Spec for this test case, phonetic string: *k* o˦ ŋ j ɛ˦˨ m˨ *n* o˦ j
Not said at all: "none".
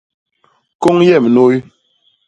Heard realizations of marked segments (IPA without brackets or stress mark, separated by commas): k, n